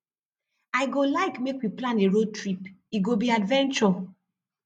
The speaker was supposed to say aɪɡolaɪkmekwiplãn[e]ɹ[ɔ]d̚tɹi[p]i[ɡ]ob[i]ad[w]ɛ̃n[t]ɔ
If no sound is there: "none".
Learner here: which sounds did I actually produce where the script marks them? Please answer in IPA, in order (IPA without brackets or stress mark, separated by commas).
e, o, p, ɡ, i, v, t͡ʃ